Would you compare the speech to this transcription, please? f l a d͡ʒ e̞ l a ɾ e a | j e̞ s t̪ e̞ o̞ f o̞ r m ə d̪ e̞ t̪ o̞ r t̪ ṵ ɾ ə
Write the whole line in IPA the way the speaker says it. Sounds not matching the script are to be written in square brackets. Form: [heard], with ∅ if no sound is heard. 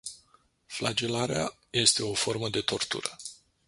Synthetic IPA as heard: f l a d͡ʒ e̞ l a ɾ e a | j e̞ s t̪ e̞ o̞ f o̞ r m ə d̪ e̞ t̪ o̞ r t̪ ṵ ɾ ə